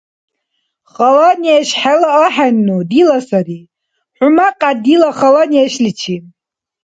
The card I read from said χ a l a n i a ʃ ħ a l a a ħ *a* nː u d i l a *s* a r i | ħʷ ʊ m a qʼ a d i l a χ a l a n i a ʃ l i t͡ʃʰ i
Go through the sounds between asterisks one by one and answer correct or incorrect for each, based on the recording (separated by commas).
correct, correct